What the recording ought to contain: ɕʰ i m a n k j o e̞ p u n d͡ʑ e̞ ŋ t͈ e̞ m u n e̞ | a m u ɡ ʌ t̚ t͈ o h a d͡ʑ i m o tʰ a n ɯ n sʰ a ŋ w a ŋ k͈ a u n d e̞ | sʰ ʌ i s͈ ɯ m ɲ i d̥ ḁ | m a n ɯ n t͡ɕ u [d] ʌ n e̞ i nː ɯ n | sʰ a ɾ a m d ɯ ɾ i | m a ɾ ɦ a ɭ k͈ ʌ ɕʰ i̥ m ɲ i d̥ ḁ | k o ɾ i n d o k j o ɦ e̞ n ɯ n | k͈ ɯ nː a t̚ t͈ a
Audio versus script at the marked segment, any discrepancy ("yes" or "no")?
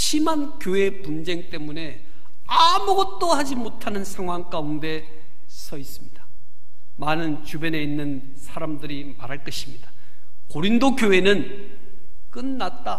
yes